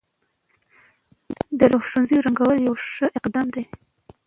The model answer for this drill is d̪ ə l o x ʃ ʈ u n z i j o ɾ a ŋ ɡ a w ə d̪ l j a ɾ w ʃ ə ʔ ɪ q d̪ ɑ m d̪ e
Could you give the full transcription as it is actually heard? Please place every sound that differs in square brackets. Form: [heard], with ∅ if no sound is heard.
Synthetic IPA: d̪ ə [ɾ] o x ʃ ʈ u n z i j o ɾ a ŋ ɡ a w ə [∅] l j a [∅] w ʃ ə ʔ ɪ q d̪ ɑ m d̪ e